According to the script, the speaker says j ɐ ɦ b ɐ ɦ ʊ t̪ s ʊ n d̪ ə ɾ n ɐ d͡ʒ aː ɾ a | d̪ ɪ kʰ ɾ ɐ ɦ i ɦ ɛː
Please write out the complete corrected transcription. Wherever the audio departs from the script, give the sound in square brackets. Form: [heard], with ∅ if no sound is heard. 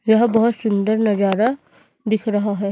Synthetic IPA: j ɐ ɦ b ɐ ɦ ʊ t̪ s ʊ n d̪ ə ɾ n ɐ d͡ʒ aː ɾ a | d̪ ɪ kʰ ɾ ɐ ɦ [a] ɦ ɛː